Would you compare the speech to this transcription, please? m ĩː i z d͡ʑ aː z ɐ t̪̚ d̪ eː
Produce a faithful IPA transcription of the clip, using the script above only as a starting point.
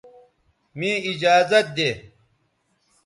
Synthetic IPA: m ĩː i d͡ʑ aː z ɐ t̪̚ d̪ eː